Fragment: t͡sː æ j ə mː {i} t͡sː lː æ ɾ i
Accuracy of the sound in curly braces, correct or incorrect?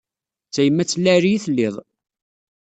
incorrect